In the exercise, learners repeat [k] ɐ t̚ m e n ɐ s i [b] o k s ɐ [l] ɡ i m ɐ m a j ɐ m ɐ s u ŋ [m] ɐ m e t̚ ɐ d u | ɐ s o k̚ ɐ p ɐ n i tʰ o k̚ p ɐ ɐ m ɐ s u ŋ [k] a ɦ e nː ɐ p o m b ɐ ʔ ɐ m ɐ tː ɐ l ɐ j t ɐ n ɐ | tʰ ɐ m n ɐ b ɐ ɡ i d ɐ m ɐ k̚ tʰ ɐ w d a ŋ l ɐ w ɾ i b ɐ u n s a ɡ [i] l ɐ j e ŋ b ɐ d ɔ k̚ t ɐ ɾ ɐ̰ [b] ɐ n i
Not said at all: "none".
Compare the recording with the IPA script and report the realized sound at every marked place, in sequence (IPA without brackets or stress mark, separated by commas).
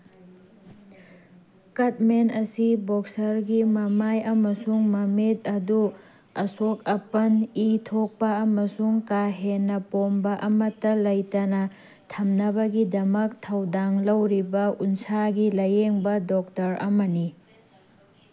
k, b, ɾ, m, k, i, m